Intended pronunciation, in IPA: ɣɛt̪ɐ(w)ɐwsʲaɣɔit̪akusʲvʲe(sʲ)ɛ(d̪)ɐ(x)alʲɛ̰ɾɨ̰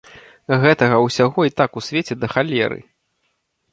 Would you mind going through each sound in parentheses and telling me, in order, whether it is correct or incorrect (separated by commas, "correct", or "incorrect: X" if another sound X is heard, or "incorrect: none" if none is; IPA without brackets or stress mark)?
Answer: incorrect: ɣ, incorrect: t͡sʲ, correct, correct